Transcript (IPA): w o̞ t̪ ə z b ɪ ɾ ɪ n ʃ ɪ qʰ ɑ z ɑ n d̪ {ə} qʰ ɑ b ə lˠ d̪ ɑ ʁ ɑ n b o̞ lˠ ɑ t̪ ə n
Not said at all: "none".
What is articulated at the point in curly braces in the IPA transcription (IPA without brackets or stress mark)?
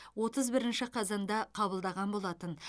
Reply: ɑ